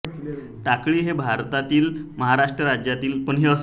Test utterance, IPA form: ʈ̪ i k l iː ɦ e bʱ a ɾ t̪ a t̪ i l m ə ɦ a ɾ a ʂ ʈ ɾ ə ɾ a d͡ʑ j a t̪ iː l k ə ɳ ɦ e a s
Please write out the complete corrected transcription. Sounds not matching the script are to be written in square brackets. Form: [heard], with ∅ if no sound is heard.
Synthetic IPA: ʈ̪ [a] k [ɭ] iː ɦ e bʱ a ɾ t̪ a t̪ [iː] l m ə ɦ a ɾ a ʂ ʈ ɾ ə ɾ a d͡ʑ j a t̪ iː l [p] ə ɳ ɦ e [ə] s